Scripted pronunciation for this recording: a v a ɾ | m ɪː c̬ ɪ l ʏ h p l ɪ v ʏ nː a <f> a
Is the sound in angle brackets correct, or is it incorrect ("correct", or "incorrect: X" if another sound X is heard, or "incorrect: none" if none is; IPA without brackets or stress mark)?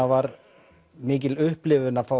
correct